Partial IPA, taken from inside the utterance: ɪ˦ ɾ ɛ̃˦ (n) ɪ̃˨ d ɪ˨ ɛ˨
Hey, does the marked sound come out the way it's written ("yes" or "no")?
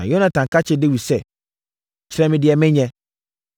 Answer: no